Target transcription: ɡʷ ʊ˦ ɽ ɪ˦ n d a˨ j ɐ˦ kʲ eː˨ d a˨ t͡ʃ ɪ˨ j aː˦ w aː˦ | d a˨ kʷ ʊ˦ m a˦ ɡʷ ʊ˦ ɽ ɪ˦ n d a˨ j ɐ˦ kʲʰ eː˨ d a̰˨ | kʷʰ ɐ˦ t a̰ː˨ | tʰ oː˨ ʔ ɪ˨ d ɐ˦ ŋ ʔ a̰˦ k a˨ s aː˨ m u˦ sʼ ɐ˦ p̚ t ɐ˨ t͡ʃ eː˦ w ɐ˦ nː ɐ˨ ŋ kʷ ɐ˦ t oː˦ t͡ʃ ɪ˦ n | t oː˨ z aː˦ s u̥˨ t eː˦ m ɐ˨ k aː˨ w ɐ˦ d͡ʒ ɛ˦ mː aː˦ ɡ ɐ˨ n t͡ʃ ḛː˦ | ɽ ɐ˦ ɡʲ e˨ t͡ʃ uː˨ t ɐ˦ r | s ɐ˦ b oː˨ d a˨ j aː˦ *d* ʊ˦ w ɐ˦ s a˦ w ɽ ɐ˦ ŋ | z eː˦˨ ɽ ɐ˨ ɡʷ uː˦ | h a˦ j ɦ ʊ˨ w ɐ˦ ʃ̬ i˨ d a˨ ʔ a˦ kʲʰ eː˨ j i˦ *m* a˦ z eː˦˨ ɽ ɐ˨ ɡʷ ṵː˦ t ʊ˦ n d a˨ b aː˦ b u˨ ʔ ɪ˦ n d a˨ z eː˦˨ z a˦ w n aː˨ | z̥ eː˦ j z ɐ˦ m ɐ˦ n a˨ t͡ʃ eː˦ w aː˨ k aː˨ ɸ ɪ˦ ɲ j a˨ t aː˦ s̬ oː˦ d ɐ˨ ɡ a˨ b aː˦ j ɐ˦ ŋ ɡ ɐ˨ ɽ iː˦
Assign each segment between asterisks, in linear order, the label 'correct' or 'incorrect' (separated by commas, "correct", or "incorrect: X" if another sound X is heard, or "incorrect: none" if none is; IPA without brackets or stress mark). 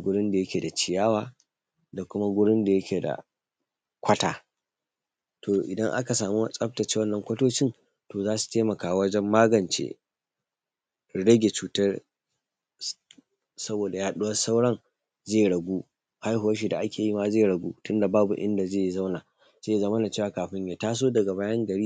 incorrect: ɗ, correct